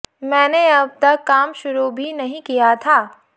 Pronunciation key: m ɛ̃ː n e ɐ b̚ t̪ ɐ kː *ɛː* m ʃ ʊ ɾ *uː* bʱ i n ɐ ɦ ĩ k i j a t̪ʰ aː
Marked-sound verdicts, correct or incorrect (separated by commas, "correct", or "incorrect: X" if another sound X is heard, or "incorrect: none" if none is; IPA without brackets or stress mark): incorrect: aː, incorrect: u